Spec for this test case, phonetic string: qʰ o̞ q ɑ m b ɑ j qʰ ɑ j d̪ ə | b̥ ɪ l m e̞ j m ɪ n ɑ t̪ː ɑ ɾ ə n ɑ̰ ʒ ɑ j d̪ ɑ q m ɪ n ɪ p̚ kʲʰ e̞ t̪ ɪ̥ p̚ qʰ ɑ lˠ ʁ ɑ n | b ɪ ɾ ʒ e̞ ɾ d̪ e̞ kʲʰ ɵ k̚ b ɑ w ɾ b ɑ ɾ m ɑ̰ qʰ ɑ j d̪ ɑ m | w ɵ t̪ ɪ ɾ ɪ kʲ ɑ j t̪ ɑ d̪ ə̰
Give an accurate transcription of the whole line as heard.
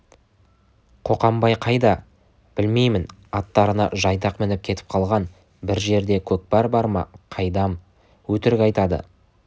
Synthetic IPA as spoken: qʰ o̞ q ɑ m b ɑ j qʰ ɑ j d̪ ɑ | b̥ ɪ l m e̞ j m ɪ n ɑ t̪ː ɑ ɾ ə n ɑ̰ ʒ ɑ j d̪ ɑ q m ɪ n ɪ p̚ kʲʰ e̞ t̪ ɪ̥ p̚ qʰ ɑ lˠ ʁ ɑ n | b ɪ ɾ ʒ e̞ ɾ d̪ e̞ kʲʰ ɵ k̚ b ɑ ɾ b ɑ ɾ m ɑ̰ qʰ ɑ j d̪ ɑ m | w ɵ t̪ ɪ ɾ ɪ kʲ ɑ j t̪ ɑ d̪ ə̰